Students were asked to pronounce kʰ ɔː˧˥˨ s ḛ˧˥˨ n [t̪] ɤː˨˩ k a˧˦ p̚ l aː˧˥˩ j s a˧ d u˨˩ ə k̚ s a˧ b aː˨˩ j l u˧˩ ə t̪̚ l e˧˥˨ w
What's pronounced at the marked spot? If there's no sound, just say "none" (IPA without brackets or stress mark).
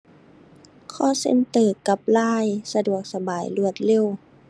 t̪